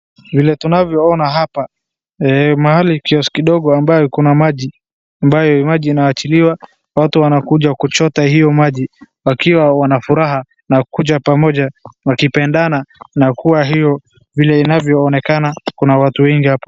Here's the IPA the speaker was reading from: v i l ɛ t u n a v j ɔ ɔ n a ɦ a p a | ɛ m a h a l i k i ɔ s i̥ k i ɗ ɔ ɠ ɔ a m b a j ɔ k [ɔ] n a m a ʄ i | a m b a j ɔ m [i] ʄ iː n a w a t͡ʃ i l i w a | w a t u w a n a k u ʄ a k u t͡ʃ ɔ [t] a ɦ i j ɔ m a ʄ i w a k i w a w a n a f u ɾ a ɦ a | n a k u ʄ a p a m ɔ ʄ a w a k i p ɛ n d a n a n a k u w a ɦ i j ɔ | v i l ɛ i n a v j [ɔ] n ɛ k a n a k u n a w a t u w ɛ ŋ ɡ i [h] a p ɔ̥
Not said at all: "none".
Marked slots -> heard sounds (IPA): u, a, t, ɔː, h

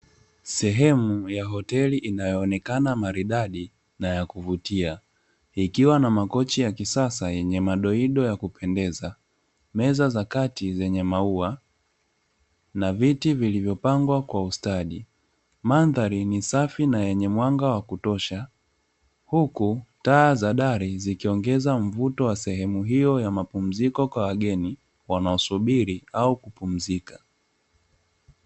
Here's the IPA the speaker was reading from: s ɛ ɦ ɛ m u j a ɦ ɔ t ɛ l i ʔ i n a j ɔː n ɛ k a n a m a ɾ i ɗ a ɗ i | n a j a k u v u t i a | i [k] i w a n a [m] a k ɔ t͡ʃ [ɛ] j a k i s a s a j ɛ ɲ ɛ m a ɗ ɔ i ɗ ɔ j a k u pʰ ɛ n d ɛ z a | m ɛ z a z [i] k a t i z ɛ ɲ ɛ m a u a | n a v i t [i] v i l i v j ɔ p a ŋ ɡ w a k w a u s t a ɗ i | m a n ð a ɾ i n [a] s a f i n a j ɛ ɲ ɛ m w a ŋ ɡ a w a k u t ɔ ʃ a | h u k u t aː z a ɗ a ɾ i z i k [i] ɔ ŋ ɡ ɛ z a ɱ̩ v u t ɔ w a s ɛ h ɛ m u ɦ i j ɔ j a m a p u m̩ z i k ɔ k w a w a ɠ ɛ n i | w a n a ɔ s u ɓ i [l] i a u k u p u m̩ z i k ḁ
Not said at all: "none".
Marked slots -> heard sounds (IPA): k, m, i, a, i, i, i, ɾ

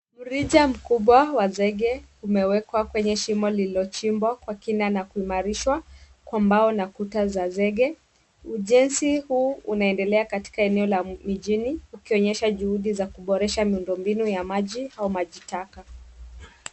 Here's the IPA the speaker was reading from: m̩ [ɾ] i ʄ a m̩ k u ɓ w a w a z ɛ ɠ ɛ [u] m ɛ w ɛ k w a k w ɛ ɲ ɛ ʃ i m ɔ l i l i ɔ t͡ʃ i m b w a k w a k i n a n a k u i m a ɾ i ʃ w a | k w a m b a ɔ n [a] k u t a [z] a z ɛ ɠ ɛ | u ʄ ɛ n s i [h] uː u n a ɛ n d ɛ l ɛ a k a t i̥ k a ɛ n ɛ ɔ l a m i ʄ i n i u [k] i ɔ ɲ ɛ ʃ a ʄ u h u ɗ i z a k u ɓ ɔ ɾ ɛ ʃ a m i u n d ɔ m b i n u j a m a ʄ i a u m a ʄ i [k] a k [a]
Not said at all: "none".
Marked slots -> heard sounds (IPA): ɾ, u, a, z, h, k, t, a

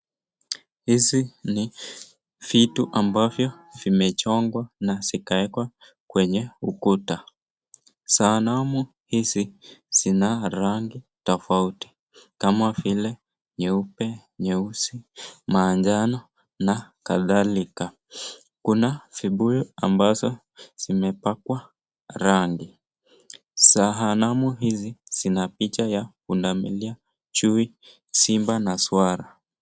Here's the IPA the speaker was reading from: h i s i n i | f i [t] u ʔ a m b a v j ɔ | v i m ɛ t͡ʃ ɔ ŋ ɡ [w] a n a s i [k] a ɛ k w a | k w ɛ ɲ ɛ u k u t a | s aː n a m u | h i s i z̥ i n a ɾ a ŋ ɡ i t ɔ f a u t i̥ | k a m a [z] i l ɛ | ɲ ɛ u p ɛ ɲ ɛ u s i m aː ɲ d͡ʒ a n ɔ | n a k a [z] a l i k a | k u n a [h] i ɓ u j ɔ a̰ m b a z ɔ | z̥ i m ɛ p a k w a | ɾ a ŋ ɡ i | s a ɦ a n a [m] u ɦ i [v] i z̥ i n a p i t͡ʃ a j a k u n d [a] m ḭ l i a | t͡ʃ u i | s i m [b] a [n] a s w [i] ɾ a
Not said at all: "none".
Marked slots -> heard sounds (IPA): t, w, k, v, ð, f, m, z, a, b, n, a

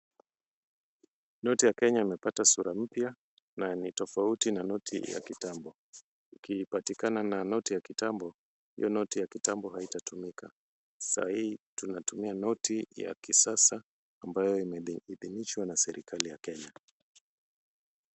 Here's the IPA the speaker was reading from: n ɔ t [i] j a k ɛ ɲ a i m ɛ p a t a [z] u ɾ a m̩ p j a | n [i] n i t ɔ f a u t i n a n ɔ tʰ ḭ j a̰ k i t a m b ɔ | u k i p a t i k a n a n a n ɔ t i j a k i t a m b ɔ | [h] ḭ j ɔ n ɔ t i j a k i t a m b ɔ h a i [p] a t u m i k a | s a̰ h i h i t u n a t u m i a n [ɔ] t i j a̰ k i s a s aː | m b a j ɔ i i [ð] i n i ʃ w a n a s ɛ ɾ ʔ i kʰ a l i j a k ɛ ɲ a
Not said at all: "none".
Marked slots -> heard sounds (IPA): i, s, a, h, t, ɔ, ð

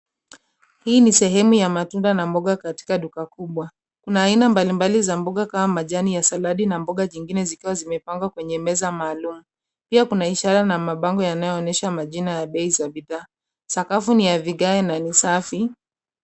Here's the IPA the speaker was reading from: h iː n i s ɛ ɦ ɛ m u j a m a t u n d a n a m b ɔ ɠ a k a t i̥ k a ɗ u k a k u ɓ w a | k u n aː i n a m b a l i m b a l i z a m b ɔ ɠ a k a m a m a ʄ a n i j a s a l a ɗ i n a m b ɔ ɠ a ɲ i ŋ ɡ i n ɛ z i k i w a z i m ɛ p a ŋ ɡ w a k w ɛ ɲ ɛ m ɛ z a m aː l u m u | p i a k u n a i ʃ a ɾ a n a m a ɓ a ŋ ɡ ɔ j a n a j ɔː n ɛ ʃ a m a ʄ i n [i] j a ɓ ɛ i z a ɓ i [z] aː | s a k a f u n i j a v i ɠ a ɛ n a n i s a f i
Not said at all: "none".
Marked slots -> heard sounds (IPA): a, ð

